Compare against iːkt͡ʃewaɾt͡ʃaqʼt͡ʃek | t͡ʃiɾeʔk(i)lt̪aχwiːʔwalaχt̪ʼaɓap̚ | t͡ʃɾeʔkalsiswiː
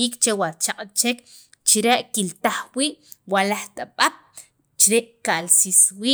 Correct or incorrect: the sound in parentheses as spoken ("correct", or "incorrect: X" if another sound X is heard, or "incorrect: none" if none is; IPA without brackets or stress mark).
correct